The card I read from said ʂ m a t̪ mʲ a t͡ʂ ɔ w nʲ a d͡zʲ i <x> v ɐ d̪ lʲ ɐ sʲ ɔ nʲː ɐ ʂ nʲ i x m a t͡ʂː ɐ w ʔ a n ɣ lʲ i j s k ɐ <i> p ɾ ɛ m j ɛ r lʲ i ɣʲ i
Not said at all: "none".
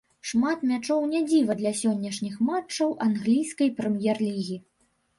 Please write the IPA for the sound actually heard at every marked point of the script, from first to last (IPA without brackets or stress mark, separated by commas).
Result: none, j